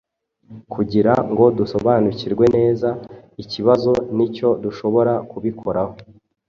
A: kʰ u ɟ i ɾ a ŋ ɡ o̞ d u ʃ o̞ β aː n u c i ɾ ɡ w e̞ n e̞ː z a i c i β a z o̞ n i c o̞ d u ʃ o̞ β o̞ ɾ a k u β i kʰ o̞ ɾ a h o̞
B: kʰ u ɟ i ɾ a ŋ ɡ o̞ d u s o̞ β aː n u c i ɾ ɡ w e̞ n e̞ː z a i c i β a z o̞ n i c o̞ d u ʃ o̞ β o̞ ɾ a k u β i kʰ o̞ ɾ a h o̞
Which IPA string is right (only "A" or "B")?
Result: B